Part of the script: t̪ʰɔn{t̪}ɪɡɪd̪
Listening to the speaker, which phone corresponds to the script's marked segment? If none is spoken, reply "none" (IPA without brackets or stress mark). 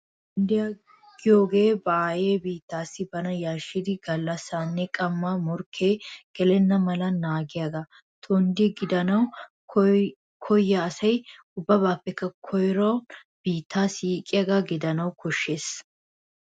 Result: d̪